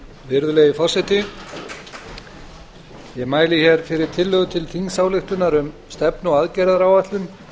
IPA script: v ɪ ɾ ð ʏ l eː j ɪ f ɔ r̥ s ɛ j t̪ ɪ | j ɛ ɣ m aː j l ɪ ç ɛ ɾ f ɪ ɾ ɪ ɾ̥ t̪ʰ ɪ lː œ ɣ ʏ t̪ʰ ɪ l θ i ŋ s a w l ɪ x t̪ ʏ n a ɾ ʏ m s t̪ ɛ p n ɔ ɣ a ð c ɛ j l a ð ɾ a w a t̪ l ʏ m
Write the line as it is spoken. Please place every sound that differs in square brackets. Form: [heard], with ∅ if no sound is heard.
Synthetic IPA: v ɪ ɾ ð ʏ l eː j ɪ f ɔ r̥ s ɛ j t̪ ɪ | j ɛ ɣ m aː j l ɪ ç ɛ ɾ f ɪ ɾ ɪ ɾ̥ t̪ʰ ɪ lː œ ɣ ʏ t̪ʰ ɪ l θ i ŋ s a w l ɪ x t̪ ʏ n a ɾ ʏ m s t̪ ɛ p n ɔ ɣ a ð c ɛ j [ɾ] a ð ɾ a w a t̪ l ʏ m

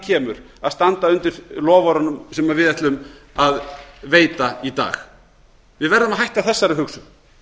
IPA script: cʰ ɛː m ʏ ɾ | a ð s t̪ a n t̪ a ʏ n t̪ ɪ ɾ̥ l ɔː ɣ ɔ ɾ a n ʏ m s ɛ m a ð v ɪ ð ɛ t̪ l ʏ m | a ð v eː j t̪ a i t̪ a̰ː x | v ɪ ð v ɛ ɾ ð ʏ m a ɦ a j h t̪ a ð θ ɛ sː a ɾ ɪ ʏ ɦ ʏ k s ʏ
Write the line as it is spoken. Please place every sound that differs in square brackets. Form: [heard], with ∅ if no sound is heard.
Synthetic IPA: cʰ ɛː m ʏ ɾ | a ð s t̪ a n t̪ a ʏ n t̪ ɪ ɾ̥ l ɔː [v] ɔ ɾ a n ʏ m s ɛ m a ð v ɪ ð ɛ t̪ l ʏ m | a ð v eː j t̪ a i t̪ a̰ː x | v ɪ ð v ɛ ɾ ð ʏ m a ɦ a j h t̪ a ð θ ɛ sː a ɾ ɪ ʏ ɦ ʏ k s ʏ

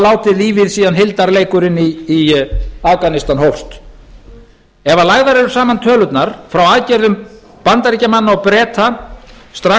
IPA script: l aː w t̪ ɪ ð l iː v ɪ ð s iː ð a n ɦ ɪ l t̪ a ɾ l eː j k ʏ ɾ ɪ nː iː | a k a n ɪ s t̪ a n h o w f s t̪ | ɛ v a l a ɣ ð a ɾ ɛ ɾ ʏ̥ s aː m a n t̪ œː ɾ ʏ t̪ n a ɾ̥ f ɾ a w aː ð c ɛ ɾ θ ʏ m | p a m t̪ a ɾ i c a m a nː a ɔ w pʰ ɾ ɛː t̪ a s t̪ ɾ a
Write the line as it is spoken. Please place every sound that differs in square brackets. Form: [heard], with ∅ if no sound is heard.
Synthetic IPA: l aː w t̪ ɪ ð l iː v ɪ ð s iː ð a n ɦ ɪ l t̪ a ɾ l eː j k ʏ ɾ ɪ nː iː | a k a n ɪ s t̪ a n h o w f s t̪ | ɛ v a l a ɣ ð a ɾ ɛ ɾ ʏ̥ s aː m a n [t̪ʰ] œː [l] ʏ t̪ n a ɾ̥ f ɾ a w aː ð c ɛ ɾ [ð] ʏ m | p a [n] t̪ a ɾ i c a m a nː a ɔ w [p] ɾ ɛː t̪ a s t̪ ɾ a

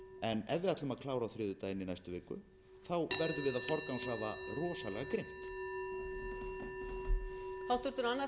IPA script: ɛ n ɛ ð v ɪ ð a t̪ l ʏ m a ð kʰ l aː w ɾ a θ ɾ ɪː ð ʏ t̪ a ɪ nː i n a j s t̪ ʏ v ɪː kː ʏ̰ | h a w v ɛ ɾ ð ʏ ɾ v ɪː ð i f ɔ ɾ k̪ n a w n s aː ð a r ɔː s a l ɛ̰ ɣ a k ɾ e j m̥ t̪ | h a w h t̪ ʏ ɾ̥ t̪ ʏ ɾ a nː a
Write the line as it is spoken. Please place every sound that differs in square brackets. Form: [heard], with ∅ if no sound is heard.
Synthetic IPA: ɛ n ɛ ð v ɪ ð a t̪ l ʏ m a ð kʰ l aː w ɾ a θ ɾ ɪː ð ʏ t̪ a ɪ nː i n a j s t̪ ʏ v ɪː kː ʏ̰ | [θ] a w v ɛ ɾ ð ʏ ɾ v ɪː ð [a] f ɔ ɾ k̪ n a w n s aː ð a r ɔː s a l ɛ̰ ɣ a k ɾ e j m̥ t̪ | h a w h t̪ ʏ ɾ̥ t̪ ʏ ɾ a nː a

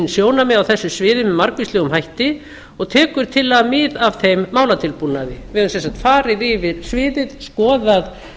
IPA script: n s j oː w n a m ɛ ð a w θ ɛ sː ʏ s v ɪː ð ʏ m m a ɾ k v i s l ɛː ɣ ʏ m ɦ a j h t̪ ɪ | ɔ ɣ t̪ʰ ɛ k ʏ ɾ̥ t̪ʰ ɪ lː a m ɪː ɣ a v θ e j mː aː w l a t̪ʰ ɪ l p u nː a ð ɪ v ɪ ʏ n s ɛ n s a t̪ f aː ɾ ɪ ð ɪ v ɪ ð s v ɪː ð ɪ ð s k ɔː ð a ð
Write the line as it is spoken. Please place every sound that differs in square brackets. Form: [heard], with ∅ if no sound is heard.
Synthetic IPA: n s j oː w n a m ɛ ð a w θ ɛ sː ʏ s v ɪː ð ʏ m m a ɾ k v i s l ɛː ɣ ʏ m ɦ a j h t̪ ɪ | ɔ ɣ t̪ʰ [ɛː] k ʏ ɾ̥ t̪ʰ ɪ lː a m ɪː [ð] a v θ e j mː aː w l a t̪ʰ ɪ l p u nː a ð ɪ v ɪ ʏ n s ɛ n s a t̪ f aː ɾ ɪ ð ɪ v ɪ ð s v ɪː ð ɪ ð s k ɔː ð a ð

